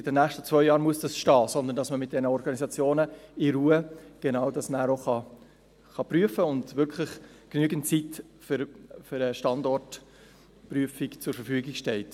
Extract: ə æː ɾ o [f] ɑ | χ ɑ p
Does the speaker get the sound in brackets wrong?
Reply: yes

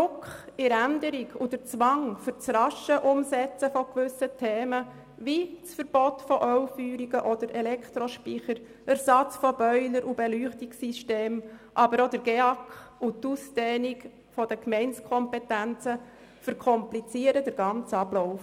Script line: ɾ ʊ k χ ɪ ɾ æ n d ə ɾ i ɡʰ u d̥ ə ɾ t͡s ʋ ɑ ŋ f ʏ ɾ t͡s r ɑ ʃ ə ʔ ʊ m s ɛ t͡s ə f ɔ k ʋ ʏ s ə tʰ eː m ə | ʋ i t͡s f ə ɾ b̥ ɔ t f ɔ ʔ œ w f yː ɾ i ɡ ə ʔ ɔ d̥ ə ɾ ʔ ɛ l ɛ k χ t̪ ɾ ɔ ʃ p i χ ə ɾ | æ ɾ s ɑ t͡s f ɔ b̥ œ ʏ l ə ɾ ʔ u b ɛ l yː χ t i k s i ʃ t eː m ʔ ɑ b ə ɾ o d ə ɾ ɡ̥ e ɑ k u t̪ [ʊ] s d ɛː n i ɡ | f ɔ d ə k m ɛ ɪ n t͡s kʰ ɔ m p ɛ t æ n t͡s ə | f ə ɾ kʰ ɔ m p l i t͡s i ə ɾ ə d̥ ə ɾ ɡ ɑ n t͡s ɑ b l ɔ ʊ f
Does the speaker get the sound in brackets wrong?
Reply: yes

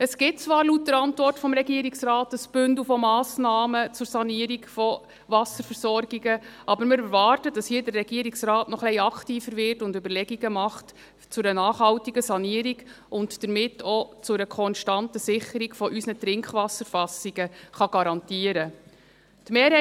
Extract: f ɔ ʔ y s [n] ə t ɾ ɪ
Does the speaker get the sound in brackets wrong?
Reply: no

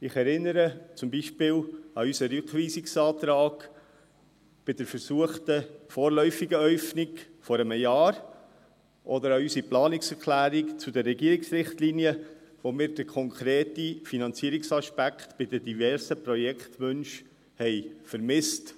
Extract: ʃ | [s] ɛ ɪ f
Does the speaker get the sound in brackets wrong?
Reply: yes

